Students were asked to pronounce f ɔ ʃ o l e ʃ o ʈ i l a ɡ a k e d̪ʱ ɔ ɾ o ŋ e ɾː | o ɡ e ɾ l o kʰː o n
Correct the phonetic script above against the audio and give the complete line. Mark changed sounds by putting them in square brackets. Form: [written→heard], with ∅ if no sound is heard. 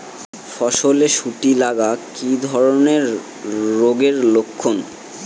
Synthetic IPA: f ɔ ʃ o l e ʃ [o→u] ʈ i l a ɡ a k [e→i] d̪ʱ ɔ ɾ o [ŋ→n] e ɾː | o ɡ e ɾ l o kʰː o n